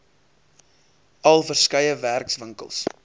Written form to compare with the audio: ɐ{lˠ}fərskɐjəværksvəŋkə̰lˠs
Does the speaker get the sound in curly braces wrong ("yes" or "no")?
no